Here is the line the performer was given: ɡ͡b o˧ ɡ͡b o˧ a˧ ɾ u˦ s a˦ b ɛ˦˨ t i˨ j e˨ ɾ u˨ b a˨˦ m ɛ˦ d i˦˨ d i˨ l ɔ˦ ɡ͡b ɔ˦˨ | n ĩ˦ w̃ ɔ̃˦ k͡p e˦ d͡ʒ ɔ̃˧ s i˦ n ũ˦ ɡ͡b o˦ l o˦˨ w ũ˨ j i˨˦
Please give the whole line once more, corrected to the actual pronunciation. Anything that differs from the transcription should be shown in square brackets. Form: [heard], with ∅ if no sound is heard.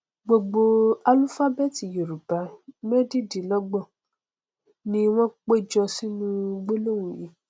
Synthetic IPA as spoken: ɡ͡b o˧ ɡ͡b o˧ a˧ [l] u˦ [f] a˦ b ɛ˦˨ t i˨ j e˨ ɾ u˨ b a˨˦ m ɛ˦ d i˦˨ d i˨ l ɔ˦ ɡ͡b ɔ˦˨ | n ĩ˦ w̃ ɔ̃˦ k͡p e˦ d͡ʒ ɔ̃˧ s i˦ n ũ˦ ɡ͡b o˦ l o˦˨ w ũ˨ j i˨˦

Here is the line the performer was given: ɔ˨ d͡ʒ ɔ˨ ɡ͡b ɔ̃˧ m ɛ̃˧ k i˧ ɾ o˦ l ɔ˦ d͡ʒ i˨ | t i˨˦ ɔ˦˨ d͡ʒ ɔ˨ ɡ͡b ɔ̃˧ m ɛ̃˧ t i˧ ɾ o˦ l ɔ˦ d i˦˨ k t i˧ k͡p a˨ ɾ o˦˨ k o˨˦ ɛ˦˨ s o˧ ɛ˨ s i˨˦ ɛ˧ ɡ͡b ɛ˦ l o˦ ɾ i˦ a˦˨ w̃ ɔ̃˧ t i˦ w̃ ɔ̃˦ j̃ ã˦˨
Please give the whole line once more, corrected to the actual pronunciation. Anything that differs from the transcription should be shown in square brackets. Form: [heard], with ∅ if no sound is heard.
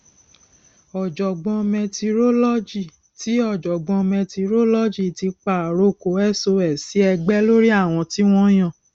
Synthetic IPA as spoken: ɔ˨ d͡ʒ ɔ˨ ɡ͡b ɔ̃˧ m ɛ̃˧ [t] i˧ ɾ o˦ l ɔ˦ d͡ʒ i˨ | t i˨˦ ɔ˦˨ d͡ʒ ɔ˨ ɡ͡b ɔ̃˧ m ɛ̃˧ t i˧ ɾ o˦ l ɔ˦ [d͡ʒ] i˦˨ [∅] t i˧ k͡p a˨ ɾ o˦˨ k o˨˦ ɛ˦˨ s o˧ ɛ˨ s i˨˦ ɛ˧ ɡ͡b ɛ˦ l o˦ ɾ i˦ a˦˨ w̃ ɔ̃˧ t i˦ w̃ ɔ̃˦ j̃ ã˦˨

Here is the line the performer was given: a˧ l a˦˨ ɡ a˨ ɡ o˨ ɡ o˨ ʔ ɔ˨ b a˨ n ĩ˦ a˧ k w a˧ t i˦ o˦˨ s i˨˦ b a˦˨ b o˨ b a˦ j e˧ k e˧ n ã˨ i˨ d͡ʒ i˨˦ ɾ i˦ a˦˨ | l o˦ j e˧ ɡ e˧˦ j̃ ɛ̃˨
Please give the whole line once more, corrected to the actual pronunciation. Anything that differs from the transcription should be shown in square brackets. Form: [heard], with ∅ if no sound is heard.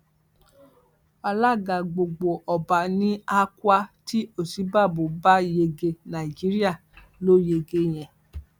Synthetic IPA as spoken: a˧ l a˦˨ ɡ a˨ [ɡ͡b] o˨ [ɡ͡b] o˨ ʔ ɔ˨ b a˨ n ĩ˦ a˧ k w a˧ t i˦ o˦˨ s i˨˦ b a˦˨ b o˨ b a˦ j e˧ [ɡ] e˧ n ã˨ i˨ d͡ʒ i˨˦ ɾ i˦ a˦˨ | l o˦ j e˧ ɡ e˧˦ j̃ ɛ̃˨

